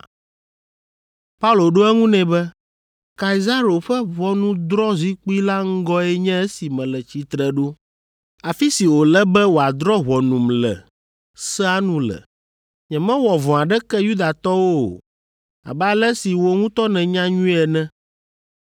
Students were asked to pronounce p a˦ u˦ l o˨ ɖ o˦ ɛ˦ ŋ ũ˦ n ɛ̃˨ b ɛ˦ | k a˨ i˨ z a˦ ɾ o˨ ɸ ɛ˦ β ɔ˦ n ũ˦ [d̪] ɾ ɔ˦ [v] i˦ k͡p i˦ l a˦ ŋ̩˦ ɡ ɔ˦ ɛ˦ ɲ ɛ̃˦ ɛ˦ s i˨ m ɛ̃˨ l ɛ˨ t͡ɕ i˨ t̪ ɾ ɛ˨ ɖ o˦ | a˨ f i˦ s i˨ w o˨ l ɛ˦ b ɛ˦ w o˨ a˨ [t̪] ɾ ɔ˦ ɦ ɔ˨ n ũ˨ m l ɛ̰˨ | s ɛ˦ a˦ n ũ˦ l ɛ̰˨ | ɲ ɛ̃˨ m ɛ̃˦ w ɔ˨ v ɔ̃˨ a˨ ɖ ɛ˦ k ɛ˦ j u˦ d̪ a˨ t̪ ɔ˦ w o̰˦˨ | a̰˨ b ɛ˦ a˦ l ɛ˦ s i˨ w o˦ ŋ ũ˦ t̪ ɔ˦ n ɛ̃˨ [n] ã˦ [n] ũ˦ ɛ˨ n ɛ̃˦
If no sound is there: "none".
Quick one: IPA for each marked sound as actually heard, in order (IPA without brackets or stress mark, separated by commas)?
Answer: d̪, z, d̪, ɲ, ɲ